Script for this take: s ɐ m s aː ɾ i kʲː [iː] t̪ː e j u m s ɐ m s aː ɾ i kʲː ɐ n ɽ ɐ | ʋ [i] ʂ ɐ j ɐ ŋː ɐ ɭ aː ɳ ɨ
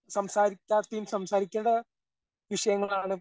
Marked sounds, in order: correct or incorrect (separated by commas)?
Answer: incorrect, correct